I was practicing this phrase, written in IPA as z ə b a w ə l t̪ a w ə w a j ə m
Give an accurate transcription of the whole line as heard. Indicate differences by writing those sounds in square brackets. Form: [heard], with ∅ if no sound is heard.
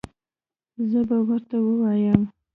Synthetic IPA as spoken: z ə b a w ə [ɾ] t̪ a w ə w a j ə m